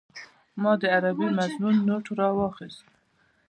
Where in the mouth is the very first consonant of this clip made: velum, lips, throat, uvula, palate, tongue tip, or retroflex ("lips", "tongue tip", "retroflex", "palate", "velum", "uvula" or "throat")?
lips